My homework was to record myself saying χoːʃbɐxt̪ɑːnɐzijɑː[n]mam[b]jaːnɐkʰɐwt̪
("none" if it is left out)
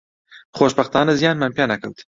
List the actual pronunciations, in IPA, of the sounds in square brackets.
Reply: n, p

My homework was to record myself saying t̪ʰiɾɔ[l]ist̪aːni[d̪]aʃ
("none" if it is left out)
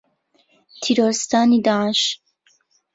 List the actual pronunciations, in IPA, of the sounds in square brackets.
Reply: ɾ, d̪

